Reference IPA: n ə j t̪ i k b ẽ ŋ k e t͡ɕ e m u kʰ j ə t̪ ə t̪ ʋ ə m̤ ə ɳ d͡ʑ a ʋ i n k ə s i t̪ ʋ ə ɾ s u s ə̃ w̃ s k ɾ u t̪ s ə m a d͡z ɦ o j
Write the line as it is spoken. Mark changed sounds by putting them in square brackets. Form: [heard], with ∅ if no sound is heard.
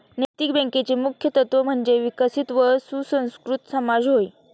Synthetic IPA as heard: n ə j t̪ i k b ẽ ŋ k e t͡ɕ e m u kʰ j ə t̪ ə t̪ ʋ ə m̤ ə ɳ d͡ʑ [e] ʋ i [∅] k ə s i t̪ ʋ ə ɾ s u s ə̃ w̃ s k ɾ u t̪ s ə m a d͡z ɦ o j